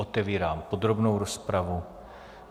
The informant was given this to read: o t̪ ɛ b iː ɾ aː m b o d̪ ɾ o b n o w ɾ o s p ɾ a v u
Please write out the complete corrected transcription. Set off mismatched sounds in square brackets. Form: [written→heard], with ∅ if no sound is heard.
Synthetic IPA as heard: o t̪ ɛ [b→v] iː ɾ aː m [b→p] o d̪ ɾ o b n o w ɾ o s p ɾ a v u